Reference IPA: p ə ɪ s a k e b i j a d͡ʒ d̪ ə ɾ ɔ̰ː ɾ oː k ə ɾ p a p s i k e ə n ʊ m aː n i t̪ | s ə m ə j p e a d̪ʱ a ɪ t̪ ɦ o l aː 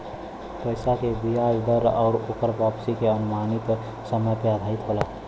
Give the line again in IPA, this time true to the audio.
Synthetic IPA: p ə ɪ s a k e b i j a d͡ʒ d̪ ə ɾ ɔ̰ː ɾ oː k ə ɾ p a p s i k e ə n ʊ m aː n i t̪ | s ə m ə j p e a d̪ʱ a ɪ t̪ ɦ o l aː